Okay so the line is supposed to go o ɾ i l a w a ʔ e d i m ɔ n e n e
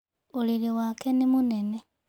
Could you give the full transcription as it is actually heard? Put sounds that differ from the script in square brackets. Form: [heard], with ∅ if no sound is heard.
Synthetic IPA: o [l] i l [i] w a [k] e [n] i m [u] n e n e

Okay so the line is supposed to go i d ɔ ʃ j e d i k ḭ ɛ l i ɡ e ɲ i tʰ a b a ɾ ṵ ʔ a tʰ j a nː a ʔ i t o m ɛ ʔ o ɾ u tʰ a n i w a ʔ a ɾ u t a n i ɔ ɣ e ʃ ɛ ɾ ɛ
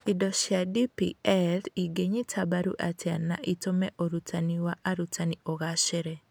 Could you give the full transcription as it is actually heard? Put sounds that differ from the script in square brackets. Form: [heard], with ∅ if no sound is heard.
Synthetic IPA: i d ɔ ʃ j [a] d i [p] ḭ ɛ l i ɡ e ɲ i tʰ a b a ɾ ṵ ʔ a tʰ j a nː a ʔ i t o m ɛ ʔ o ɾ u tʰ a n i w a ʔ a ɾ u t a n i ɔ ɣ [a] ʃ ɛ ɾ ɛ

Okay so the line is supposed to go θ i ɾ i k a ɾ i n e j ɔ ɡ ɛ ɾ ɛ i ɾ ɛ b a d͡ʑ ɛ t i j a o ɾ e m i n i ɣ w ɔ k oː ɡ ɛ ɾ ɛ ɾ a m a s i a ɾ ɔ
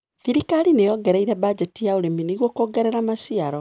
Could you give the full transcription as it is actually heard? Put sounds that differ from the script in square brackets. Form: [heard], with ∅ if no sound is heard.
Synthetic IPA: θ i ɾ i k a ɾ i n e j ɔ ɡ ɛ ɾ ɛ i ɾ ɛ b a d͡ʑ ɛ t i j a o ɾ e m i n i ɣ w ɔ k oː ɡ ɛ ɾ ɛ ɾ a m a s i a ɾ ɔ

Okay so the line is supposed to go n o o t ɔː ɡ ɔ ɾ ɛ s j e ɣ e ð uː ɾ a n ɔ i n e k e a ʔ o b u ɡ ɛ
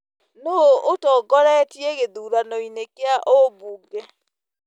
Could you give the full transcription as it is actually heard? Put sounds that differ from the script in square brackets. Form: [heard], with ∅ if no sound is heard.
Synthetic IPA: n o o t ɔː ɡ ɔ ɾ ɛ [t] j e ɣ e ð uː ɾ a n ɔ i n e k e a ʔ o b u ɡ ɛ

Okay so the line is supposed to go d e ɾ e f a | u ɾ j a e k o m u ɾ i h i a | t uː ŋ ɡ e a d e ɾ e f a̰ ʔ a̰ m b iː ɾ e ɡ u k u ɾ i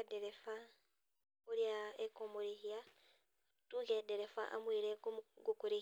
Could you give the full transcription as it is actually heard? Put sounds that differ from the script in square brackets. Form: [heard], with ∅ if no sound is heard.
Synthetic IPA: d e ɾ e f a | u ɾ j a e k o m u ɾ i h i a | t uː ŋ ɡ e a d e ɾ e f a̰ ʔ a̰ m [w] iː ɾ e ɡ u k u ɾ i

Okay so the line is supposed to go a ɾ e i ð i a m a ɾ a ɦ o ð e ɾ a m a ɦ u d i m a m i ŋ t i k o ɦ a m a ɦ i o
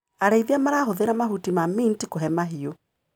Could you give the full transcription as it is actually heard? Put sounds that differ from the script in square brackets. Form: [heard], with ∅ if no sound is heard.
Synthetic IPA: a ɾ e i ð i a m a ɾ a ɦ o ð e ɾ a m a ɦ u [t] i m a m i [n] t i k o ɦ [ɛ] m a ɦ i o

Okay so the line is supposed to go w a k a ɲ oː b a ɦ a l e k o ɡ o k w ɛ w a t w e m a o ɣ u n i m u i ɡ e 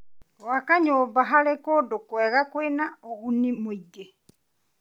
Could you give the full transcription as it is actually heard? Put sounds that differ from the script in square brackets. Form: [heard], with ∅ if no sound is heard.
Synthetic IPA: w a k a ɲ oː b a ɦ a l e k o [d] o k w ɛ [ɣ] a [k] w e [n] a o ɣ u n i m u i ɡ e

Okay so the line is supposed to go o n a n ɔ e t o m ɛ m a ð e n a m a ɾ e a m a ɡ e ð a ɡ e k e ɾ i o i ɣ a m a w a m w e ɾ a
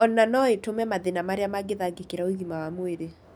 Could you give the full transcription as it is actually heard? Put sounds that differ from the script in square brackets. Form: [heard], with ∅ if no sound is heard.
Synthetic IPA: [ɔ] n a n ɔ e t o m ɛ m a ð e n a m a ɾ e a m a ɡ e ð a ɡ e k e ɾ [a] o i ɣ [i] m a w a m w e ɾ [e]

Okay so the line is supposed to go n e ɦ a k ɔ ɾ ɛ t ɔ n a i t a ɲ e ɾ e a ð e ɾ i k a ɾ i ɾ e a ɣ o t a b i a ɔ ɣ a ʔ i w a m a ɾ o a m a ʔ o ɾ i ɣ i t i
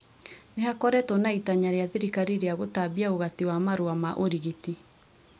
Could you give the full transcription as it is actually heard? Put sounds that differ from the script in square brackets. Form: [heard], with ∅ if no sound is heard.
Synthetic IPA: n e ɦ a k ɔ ɾ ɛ t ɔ n a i t a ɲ [a] ɾ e a ð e ɾ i k a ɾ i ɾ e a ɣ o t a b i a [o] ɣ a [t] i w a m a ɾ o a m a ʔ o ɾ i ɣ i t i

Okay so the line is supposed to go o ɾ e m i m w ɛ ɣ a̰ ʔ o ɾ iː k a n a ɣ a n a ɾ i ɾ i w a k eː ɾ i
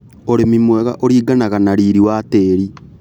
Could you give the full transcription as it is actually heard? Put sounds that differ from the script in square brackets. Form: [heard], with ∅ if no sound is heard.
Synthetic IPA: o ɾ e m i m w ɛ ɣ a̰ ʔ o ɾ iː [ɡ] a n a ɣ a n a ɾ i ɾ i w a [t] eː ɾ i

